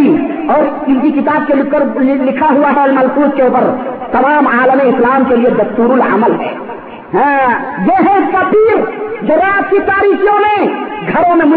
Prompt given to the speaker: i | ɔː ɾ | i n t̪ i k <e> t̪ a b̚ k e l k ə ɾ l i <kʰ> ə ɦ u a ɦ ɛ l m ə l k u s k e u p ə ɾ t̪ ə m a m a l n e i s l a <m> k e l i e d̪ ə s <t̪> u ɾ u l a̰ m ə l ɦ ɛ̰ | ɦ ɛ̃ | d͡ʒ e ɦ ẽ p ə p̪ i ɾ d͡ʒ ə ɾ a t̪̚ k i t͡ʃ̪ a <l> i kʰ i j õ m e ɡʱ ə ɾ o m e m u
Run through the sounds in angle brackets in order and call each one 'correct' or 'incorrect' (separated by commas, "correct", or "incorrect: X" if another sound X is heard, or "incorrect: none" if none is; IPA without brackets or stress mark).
incorrect: i, correct, correct, correct, incorrect: ɾ